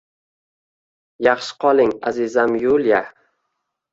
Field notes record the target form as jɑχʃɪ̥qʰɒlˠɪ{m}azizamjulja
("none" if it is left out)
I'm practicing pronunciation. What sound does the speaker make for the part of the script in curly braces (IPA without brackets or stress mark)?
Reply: ŋ